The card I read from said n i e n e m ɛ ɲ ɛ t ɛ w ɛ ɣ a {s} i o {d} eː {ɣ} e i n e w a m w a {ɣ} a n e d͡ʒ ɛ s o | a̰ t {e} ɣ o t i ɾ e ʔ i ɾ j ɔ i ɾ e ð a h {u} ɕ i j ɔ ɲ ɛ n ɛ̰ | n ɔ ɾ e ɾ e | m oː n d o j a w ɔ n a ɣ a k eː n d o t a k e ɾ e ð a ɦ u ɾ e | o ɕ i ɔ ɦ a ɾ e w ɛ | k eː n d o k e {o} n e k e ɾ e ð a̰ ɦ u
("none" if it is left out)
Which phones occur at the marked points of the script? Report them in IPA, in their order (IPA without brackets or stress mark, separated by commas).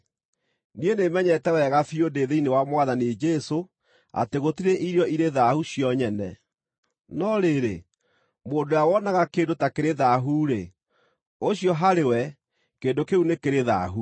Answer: f, d, ð, ð, e, u, u